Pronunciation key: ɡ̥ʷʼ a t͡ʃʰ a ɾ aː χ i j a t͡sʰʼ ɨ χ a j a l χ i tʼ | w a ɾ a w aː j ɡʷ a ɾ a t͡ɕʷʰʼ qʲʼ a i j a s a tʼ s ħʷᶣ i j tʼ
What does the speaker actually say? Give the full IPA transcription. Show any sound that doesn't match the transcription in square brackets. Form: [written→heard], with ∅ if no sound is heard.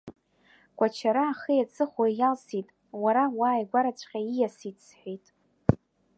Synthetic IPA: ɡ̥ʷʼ a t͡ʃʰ a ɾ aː χ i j a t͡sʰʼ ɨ χ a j a l [χ→s] i tʼ | w a ɾ a w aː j ɡʷ a ɾ a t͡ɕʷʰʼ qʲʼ a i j a s [a→i] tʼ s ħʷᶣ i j tʼ